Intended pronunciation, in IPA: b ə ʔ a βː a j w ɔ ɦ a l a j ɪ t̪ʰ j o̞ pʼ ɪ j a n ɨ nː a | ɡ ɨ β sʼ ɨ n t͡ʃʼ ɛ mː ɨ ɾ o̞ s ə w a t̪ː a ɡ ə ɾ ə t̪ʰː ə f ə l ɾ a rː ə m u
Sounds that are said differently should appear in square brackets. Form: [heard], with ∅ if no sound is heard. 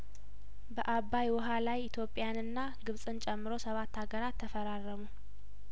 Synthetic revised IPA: b ə ʔ a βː a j w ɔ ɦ a l a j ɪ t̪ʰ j o̞ pʼ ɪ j a n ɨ nː a | ɡ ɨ β sʼ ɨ n t͡ʃʼ ɛ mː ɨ ɾ o̞ s ə [β] a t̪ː a ɡ ə ɾ [a] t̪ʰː ə f ə [∅] ɾ a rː ə m u